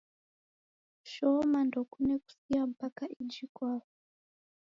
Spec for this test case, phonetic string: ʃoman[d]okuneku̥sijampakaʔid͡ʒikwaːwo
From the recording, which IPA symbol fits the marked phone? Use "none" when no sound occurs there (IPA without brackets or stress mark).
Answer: d